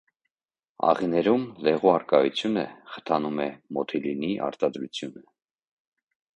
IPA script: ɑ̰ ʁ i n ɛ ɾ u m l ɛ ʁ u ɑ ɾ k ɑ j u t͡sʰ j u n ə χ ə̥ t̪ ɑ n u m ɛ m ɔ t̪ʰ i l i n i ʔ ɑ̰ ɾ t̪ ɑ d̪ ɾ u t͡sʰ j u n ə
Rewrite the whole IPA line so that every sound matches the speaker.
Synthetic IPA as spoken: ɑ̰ ʁ i n ɛ ɾ u m l ɛ ʁ u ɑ ɾ k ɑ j u t͡sʰ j u n ə χ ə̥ t̪ʰ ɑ n u m ɛ m ɔ t̪ʰ i l i n i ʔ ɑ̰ ɾ t̪ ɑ d̪ ɾ u t͡sʰ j u n ə